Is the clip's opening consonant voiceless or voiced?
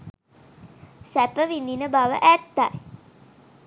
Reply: voiceless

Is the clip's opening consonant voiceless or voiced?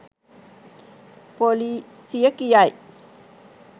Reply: voiceless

